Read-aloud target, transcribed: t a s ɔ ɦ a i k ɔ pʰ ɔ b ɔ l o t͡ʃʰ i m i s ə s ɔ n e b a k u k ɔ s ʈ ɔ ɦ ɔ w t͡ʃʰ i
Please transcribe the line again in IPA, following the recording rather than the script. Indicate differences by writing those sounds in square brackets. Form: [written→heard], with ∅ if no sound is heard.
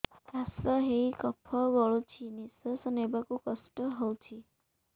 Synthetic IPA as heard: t a s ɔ ɦ [a→e] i k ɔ pʰ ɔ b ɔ [l→ɭ] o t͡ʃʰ i [m→n] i s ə s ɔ n e b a k u k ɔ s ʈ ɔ ɦ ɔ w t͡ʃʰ i